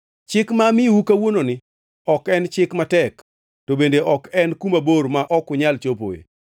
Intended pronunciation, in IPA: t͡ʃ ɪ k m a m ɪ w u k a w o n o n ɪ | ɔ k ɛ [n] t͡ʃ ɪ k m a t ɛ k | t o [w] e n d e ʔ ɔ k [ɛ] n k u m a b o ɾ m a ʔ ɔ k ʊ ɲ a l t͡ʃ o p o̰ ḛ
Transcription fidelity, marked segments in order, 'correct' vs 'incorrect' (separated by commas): correct, incorrect, correct